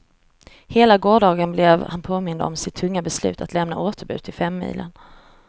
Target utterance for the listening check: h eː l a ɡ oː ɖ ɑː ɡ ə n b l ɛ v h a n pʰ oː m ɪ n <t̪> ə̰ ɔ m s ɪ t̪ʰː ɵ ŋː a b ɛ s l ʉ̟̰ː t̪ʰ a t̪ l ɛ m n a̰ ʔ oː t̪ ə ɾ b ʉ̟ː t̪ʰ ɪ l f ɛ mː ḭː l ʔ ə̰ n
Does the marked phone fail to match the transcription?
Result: yes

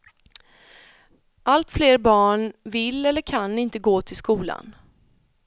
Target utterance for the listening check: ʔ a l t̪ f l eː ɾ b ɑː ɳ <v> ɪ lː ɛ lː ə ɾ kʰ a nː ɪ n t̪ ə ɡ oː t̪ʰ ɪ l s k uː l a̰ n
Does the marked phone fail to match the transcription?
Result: no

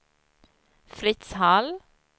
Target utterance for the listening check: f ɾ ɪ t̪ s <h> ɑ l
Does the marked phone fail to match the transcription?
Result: no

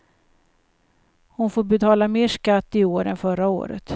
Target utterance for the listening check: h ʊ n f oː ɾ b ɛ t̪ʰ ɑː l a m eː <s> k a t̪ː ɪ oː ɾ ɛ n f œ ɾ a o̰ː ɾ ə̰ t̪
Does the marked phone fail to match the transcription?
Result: yes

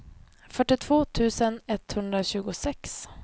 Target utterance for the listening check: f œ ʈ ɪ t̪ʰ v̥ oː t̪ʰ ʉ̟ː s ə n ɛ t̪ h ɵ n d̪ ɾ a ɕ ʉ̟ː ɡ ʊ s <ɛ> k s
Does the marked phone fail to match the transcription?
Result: no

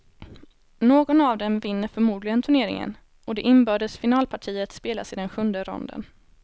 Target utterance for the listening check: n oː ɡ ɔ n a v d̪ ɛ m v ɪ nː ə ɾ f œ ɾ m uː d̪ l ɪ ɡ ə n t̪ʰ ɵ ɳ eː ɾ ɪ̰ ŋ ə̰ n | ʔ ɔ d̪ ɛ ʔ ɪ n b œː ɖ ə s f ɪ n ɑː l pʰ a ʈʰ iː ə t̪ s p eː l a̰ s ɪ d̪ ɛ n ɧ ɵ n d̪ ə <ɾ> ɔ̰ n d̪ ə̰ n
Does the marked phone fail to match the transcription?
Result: no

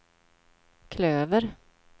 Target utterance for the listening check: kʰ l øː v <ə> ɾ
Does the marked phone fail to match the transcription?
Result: no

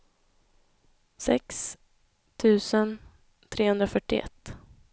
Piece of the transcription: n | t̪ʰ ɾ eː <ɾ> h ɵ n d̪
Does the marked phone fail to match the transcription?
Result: yes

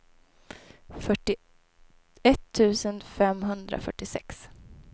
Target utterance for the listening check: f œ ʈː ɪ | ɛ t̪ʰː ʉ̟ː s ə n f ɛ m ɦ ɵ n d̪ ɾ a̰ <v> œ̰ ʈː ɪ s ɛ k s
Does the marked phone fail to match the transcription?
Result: yes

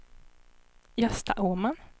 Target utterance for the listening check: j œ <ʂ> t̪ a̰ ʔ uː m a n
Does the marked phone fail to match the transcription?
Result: yes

